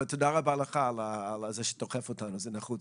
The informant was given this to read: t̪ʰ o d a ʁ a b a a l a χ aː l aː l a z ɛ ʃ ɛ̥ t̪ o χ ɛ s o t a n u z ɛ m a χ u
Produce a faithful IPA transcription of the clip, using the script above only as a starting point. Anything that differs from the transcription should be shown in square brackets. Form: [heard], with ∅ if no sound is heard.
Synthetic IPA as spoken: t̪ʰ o d a ʁ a b a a l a χ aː l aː l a z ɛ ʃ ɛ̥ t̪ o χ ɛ [f] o t a n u z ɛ [n] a χ u